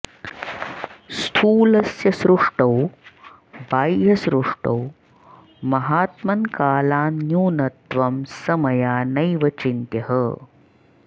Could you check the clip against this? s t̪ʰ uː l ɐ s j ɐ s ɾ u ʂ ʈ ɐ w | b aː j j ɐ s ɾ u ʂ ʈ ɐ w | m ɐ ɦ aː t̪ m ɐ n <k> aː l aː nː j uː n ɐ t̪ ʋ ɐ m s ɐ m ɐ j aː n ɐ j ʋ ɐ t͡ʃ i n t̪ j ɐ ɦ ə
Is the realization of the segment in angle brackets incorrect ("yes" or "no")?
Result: no